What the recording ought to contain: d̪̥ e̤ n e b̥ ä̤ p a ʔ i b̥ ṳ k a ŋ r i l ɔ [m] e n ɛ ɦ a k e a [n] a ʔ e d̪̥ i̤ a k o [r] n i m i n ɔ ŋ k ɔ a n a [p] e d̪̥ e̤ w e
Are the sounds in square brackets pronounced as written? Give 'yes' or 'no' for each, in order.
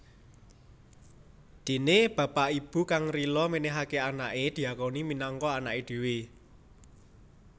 yes, yes, no, no

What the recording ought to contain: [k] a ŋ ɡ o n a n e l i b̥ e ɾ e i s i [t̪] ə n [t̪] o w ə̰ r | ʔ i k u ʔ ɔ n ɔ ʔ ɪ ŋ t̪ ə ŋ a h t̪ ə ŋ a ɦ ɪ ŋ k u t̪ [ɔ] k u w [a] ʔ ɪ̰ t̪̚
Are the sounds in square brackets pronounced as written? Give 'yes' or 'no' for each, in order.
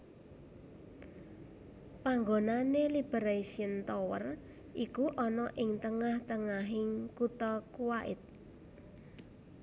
no, no, yes, yes, yes

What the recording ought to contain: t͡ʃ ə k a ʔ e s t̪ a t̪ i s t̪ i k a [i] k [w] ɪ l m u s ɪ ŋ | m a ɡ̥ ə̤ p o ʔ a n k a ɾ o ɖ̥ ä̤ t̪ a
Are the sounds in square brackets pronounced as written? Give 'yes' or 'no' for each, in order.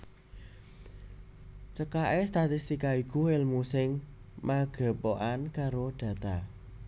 yes, no

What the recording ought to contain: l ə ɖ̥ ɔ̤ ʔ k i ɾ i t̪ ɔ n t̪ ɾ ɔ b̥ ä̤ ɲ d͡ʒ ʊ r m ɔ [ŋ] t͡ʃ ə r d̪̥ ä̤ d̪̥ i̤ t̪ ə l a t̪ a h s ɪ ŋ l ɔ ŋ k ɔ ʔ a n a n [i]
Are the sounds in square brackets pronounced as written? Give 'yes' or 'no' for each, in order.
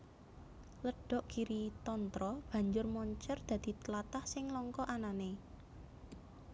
no, no

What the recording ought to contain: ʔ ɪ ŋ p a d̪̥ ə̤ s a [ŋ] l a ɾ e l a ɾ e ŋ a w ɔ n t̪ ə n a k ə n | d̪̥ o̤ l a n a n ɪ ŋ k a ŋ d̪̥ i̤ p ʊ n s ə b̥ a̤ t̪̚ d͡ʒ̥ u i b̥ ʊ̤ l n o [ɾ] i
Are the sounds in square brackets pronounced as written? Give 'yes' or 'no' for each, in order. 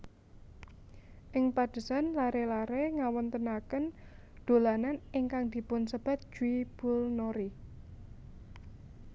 no, yes

